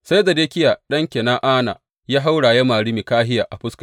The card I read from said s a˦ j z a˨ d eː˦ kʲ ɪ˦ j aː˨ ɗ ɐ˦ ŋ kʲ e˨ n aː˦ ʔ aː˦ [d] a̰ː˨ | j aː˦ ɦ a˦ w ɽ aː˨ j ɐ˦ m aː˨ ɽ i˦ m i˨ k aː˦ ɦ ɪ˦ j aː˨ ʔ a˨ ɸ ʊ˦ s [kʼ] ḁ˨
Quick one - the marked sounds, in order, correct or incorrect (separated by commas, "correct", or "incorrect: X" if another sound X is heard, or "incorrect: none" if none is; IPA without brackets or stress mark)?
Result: incorrect: n, incorrect: k